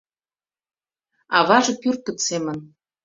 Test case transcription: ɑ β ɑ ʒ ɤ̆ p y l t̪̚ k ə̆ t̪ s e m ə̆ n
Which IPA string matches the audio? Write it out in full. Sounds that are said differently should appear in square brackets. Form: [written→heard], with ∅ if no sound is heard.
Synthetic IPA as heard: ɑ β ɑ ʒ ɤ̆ p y [l→r] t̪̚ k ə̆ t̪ s e m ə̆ n